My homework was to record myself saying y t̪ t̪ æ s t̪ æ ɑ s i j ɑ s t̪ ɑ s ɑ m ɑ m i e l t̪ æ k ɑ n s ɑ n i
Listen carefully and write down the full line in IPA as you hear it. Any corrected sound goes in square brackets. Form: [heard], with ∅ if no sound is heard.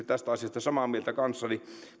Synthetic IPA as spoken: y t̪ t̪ æ s t̪ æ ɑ s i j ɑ s t̪ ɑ s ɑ m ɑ m i e l t̪ æ k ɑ n [sː] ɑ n i